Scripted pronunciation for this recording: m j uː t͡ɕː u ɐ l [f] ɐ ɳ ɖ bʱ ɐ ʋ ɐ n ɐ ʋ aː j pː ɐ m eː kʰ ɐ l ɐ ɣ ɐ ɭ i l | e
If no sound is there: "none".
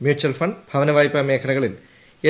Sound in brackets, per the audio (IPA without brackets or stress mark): f